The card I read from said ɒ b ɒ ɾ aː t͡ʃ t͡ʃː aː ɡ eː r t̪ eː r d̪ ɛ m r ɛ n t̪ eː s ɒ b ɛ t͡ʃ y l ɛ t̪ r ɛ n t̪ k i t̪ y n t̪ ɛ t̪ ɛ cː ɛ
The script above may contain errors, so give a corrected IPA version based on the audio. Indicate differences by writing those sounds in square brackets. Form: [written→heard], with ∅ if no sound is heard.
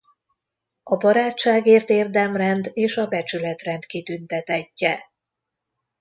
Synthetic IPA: ɒ b ɒ ɾ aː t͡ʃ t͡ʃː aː ɡ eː r t̪ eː r d̪ ɛ m r ɛ n [t̪→d̪] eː [s→ʃ] ɒ b ɛ t͡ʃ y l ɛ t̪ r ɛ n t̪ k i t̪ y n t̪ ɛ t̪ ɛ cː ɛ